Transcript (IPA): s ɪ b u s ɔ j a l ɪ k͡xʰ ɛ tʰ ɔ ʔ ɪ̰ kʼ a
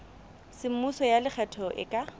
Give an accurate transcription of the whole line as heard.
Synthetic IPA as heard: s ɪ m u s ɔ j a l ɪ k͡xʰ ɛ tʰ ɔ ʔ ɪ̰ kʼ a